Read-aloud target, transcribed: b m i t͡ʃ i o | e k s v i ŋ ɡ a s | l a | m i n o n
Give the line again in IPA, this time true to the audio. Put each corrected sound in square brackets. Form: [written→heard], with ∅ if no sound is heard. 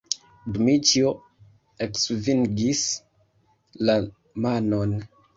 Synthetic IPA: b m i t͡ʃ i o | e k s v i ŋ ɡ [a→i] s | l a | m [i→a] n o n